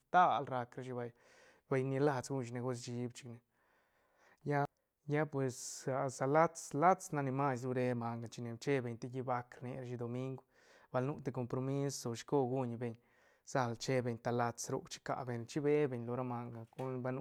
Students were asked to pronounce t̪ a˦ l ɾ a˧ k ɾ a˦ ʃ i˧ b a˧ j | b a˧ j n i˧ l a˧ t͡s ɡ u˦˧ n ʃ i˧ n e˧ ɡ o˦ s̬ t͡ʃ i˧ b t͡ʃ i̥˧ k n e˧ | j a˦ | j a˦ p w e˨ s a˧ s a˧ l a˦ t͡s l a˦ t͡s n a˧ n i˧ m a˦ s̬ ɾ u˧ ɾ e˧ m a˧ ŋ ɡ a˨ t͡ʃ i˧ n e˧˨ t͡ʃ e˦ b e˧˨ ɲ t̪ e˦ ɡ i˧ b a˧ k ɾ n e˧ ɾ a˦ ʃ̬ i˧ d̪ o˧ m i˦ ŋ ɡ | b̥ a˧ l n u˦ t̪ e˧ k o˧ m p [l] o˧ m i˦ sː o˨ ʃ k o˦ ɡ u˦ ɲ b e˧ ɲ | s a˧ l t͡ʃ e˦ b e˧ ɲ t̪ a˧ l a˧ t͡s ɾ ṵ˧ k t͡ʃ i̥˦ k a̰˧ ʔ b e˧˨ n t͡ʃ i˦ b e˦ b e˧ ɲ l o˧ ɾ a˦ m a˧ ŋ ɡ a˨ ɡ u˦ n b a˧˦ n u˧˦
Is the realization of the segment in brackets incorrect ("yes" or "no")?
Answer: yes